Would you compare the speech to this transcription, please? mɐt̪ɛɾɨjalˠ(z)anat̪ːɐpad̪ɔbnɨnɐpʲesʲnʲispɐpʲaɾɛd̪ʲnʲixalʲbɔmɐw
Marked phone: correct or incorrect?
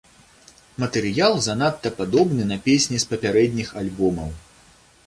correct